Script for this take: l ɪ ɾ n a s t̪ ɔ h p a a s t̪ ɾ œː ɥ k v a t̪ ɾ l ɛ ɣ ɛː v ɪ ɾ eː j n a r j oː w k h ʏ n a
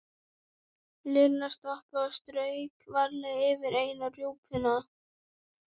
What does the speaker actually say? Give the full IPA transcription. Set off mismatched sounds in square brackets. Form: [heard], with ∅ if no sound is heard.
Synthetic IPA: l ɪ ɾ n a s t̪ ɔ h p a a s t̪ ɾ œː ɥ k v a [∅] ɾ l ɛ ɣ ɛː v ɪ ɾ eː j n a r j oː w [p] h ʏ n a

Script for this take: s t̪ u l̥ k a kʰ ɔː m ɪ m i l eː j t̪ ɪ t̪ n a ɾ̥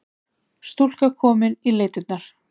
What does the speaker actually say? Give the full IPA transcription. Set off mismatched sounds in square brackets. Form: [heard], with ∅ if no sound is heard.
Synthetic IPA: s t̪ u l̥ k a kʰ ɔː m ɪ [n] i l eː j t̪ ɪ t̪ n a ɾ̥

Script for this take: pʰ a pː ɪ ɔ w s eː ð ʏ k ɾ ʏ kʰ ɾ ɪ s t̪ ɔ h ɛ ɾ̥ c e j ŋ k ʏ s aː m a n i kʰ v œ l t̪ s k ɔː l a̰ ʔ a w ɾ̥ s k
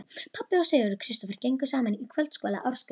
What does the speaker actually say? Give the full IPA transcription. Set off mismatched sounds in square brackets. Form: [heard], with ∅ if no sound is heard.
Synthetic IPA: pʰ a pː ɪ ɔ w s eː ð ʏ [∅] ɾ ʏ kʰ ɾ ɪ s t̪ ɔ [f] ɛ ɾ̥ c e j ŋ k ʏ s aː m a n i kʰ v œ l t̪ s k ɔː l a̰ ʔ a w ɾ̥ s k

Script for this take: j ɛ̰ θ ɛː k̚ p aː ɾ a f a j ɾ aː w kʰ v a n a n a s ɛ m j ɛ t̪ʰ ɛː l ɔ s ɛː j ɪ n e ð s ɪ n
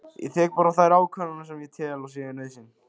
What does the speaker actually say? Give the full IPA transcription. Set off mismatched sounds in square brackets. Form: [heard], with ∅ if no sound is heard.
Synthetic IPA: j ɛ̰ θ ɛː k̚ p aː ɾ a [θ] a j ɾ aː w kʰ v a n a n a s ɛ m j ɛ t̪ʰ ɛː l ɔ s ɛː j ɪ n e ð s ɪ n

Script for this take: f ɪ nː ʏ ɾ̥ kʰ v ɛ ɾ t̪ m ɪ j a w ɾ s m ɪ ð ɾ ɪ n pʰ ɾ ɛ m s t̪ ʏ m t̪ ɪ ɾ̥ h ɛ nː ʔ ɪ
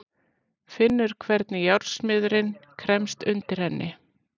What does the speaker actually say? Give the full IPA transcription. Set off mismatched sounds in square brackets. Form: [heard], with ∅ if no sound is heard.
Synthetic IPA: f ɪ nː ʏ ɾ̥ kʰ v ɛ ɾ t̪ [n] ɪ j a w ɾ s m ɪ ð ɾ ɪ n [kʰ] ɾ ɛ m s t̪ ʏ [n] t̪ ɪ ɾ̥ h ɛ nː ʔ ɪ

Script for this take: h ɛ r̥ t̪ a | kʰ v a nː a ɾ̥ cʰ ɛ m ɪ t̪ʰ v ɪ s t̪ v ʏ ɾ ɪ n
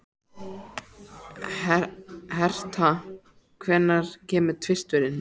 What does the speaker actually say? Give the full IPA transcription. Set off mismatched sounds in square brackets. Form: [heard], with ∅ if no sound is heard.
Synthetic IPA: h ɛ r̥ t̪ a | kʰ v [ɛ] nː a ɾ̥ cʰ [ɛː] m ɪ t̪ʰ v ɪ s t̪ v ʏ ɾ ɪ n

